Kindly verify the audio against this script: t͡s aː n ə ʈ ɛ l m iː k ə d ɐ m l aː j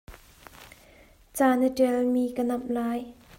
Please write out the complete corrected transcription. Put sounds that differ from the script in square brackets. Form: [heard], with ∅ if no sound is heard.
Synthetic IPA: t͡s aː n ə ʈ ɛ l m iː k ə [n] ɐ m l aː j